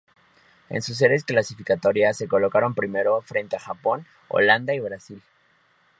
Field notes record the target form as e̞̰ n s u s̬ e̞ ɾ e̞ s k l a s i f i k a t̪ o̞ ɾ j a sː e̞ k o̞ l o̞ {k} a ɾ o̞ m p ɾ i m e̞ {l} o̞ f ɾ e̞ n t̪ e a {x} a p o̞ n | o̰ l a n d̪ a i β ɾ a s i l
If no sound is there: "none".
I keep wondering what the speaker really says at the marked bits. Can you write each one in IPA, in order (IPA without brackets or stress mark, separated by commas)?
k, ɾ, x